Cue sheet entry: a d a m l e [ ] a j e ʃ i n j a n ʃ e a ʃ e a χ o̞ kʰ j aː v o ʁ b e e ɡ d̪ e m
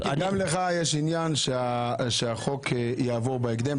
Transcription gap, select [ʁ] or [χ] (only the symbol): χ